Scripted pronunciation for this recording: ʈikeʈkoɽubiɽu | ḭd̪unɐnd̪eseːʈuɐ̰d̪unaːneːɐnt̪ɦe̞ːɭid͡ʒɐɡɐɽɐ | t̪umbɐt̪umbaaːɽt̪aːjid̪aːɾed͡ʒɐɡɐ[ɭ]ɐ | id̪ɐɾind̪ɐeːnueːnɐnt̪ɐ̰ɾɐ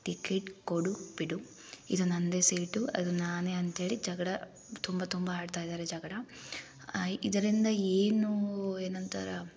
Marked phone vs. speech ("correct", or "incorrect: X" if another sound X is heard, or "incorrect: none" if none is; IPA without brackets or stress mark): incorrect: ɽ